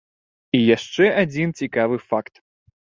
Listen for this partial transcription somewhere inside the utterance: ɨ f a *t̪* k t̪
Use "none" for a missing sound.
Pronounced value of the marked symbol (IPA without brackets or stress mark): none